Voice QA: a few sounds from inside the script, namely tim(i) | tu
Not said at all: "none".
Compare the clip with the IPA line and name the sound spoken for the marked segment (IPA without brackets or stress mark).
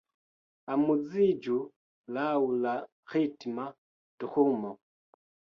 a